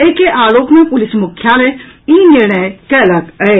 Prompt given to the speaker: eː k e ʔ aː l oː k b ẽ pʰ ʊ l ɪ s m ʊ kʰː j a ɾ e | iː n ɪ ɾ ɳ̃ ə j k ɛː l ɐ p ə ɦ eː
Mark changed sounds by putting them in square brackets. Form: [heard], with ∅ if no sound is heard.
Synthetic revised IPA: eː k e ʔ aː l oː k [m] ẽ [p] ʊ l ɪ s m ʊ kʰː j a [l] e | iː n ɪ ɾ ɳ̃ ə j k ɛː l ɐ [k] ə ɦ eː

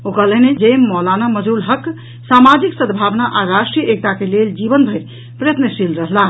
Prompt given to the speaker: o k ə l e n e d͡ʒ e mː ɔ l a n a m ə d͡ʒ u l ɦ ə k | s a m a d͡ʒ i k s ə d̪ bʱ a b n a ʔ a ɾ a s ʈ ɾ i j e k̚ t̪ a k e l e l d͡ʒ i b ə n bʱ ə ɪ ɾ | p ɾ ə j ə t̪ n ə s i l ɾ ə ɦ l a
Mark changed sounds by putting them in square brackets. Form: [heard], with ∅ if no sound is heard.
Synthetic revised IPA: o k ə l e n e d͡ʒ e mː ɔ l a n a m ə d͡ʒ u l ɦ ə k | s a m a d͡ʒ i k s ə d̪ bʱ a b n a ʔ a ɾ a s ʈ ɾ i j e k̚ t̪ a k e l e l d͡ʒ i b ə n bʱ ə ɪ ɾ | p ɾ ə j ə t̪ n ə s i l ɾ ə ɦ l a

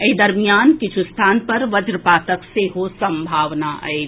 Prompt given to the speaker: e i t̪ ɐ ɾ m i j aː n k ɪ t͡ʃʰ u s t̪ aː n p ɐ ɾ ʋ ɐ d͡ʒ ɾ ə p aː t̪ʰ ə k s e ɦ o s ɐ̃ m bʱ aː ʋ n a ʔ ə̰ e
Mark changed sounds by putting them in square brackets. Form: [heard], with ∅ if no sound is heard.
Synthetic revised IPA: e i [d̪] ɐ ɾ m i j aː n k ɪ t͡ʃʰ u s [t̪ʰ] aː n p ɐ ɾ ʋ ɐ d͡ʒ ɾ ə p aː [t̪] ə k s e ɦ o s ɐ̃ m bʱ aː ʋ n a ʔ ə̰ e

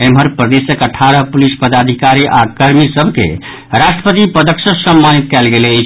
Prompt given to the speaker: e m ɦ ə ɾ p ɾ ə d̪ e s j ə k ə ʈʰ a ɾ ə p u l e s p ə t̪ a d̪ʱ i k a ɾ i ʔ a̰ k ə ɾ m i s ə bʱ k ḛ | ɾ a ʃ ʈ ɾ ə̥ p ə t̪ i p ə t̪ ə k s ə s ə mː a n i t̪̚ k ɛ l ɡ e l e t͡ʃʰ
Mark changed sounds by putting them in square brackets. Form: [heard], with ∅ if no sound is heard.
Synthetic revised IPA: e m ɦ ə ɾ p ɾ ə d̪ e s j ə k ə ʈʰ a ɾ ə p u l [i] s p ə [d̪] a d̪ʱ i k a ɾ i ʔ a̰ k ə ɾ m i s ə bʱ k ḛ | ɾ a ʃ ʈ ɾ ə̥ p ə t̪ i p ə [d̪] ə k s ə s ə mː a n i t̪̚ k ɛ l ɡ e l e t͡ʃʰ

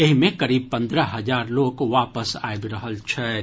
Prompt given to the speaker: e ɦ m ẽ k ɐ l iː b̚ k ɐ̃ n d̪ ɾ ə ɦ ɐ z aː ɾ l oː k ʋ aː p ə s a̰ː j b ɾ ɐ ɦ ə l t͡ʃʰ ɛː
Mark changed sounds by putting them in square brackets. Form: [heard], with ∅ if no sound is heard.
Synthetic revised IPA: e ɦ m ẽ k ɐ [ɾ] iː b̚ [p] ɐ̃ n d̪ ɾ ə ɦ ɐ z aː ɾ l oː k ʋ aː p ə s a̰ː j b ɾ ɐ ɦ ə l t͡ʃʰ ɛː

